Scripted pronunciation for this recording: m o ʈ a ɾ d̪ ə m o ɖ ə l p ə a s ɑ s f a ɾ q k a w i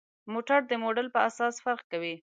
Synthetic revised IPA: m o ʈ a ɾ d̪ ə m o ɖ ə l p ə a s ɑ s f a ɾ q k a w i